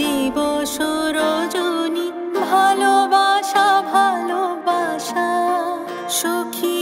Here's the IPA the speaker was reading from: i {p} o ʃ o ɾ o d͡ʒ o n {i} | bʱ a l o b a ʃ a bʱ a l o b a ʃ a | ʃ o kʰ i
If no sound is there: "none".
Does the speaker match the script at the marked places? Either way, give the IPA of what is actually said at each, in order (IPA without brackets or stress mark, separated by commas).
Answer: b, i